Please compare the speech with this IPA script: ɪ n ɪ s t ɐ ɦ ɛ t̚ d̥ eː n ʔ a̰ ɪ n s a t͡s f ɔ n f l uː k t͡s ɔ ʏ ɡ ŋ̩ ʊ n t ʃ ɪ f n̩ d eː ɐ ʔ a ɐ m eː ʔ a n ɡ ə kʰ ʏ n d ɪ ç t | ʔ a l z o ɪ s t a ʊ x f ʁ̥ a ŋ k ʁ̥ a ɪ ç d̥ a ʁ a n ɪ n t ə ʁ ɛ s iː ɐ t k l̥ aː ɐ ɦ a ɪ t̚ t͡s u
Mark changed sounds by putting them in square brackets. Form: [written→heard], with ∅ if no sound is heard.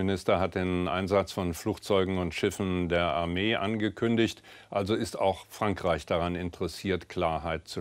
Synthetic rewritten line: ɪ n ɪ s t ɐ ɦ [ɛ→a] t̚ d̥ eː n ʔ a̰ ɪ n [s→z] a t͡s f ɔ n f l uː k t͡s ɔ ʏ ɡ ŋ̩ ʊ n t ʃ ɪ f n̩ d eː ɐ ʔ a ɐ m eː ʔ a n ɡ ə kʰ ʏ n d ɪ ç t | ʔ a l z o ɪ s t a ʊ x f ʁ̥ a ŋ k ʁ̥ a ɪ ç d̥ a ʁ a n ɪ n t ə ʁ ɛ s iː ɐ t k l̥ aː ɐ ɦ a ɪ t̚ t͡s u